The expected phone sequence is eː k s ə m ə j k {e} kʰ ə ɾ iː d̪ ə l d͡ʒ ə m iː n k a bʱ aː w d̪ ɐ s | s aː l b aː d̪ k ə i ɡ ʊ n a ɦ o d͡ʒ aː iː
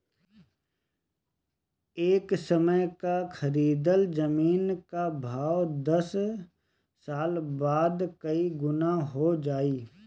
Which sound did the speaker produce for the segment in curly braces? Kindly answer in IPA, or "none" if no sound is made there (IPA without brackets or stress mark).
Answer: a